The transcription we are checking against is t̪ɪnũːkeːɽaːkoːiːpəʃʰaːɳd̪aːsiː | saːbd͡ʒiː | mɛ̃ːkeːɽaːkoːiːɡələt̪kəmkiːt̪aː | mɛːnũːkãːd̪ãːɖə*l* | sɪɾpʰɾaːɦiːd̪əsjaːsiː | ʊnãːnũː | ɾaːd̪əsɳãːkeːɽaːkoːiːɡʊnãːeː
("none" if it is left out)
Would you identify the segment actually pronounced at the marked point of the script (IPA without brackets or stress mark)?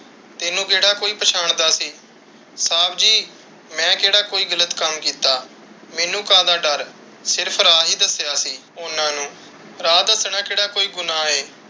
ɾ